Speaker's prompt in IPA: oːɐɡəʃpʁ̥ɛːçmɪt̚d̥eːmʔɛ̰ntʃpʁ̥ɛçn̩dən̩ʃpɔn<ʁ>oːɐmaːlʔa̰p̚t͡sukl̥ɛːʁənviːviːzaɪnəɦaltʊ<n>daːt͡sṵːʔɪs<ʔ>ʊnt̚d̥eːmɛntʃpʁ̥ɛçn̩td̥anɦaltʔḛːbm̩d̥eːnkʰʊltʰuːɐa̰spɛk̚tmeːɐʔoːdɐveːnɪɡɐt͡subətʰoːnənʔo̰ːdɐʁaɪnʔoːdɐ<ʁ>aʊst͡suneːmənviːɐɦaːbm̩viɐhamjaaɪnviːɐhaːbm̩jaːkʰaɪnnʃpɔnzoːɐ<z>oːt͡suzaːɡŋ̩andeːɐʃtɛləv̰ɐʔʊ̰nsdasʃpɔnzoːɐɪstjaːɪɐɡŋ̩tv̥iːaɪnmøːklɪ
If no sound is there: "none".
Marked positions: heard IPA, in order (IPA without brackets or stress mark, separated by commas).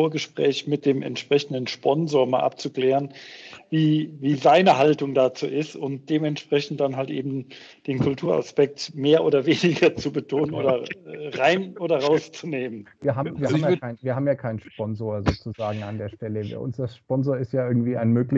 z, ŋ, t, ʁ, z